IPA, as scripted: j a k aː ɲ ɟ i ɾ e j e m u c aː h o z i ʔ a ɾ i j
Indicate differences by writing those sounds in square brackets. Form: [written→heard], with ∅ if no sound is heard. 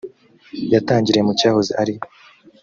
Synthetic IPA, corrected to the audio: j a [k→t] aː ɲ ɟ i ɾ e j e m u c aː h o z i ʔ a ɾ i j